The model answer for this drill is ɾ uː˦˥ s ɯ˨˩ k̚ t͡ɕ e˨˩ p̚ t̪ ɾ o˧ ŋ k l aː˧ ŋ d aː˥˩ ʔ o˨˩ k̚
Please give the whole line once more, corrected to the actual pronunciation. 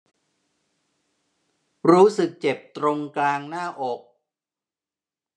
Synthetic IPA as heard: ɾ uː˦˥ s ɯ˨˩ k̚ t͡ɕ e˨˩ p̚ t̪ ɾ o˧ ŋ k l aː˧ ŋ n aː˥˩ ʔ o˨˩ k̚